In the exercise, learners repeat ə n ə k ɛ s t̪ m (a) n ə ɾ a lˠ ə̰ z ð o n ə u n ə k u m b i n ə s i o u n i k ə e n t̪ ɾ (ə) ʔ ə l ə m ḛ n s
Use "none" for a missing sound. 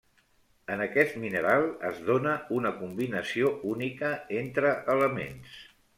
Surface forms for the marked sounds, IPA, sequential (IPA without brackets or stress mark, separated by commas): i, ə